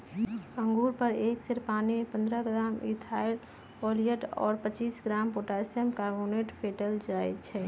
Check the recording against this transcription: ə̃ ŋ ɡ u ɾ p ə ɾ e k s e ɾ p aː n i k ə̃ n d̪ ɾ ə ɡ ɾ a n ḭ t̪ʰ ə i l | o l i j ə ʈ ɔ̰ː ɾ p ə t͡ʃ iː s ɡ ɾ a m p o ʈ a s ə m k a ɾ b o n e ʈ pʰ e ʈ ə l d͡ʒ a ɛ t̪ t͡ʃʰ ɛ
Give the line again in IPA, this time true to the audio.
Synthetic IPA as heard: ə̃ ŋ ɡ u ɾ p ə ɾ e k s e ɾ p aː n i p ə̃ n d̪ ɾ ə ɡ ɾ a m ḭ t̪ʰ a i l | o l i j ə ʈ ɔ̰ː ɾ p ə t͡ʃ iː s ɡ ɾ a m p o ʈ a s ə m k a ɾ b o n e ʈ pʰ e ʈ ə l d͡ʒ a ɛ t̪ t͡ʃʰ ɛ